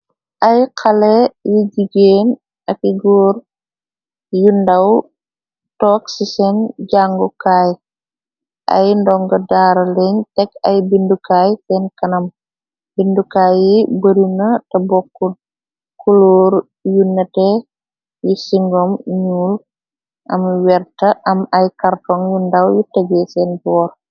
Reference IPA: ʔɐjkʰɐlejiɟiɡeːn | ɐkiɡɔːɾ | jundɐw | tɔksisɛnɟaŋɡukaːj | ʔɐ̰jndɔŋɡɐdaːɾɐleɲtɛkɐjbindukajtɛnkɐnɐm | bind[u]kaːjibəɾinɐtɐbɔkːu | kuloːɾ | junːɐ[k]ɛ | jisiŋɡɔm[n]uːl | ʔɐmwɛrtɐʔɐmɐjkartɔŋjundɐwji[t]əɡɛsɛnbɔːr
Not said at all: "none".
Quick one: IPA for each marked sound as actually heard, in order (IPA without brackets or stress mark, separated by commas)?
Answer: u, t, ɲ, t